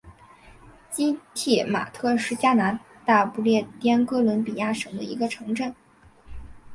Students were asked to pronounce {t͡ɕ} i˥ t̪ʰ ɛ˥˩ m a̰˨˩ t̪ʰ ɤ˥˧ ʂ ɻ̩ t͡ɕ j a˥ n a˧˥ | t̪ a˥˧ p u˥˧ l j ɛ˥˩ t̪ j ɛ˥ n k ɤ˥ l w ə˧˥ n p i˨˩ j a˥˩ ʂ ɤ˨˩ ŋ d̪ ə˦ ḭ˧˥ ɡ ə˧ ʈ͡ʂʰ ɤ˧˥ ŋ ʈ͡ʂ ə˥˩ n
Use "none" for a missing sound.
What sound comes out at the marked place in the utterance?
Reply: t͡ɕ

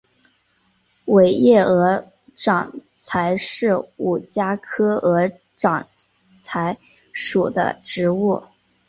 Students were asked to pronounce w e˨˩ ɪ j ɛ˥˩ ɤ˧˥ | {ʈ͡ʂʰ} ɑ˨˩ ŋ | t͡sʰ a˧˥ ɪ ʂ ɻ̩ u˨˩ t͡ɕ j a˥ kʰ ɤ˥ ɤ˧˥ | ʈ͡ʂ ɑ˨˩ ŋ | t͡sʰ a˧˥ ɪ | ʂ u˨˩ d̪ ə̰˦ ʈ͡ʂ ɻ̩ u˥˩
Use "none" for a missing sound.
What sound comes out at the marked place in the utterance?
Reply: ʈ͡ʂ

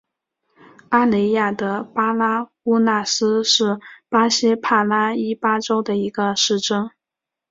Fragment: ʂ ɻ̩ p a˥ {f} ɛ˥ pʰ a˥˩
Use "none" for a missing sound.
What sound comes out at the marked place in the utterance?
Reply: ɕ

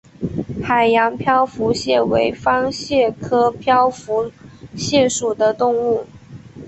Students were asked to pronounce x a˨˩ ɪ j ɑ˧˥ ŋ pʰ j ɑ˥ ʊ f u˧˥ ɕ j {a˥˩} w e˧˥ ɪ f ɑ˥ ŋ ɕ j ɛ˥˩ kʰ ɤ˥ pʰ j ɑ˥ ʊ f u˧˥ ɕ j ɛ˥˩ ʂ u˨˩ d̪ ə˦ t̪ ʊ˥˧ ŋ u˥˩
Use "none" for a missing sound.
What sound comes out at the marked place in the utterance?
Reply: ɛ˥˩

